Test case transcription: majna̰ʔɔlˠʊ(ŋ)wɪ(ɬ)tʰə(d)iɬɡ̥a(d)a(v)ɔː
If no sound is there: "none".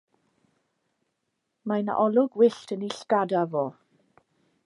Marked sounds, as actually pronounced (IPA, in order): ɡ, ɬ, n, d, v

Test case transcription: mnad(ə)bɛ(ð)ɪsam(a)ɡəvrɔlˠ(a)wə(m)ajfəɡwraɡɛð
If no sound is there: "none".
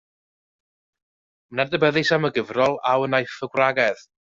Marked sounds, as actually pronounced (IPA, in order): ə, ð, ə, a, n

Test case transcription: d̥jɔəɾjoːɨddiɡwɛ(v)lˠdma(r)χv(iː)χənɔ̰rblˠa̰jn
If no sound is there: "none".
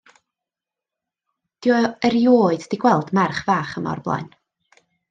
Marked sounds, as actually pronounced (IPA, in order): none, r, aː

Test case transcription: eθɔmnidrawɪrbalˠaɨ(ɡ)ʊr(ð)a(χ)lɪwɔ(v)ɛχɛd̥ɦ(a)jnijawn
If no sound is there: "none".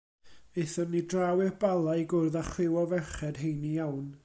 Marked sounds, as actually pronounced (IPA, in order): ɡ, ð, χ, v, e

